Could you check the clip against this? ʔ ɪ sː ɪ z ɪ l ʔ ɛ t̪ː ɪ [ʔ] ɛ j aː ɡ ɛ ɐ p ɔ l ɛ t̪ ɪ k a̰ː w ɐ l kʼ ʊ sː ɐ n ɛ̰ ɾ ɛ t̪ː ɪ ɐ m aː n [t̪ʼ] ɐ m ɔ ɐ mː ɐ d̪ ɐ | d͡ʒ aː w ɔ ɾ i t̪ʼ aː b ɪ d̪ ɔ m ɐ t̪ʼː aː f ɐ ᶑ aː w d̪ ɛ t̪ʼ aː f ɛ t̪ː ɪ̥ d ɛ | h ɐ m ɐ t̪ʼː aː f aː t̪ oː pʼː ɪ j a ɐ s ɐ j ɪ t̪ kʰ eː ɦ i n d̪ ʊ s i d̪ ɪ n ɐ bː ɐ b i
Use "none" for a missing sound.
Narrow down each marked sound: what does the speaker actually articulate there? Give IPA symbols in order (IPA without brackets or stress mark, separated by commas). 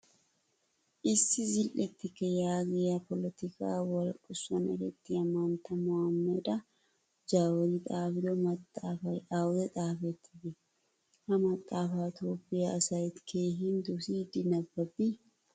k, t̪